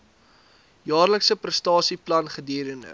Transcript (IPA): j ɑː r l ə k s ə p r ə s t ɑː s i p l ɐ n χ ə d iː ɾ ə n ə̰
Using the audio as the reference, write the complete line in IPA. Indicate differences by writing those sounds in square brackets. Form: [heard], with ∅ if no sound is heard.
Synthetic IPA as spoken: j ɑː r l ə k s ə p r ə s t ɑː s i p l ɐ n χ ə d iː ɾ ə n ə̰